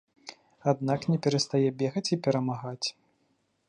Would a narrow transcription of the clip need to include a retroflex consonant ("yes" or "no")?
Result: no